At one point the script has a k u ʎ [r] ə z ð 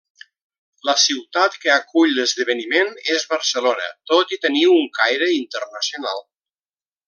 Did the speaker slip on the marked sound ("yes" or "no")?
yes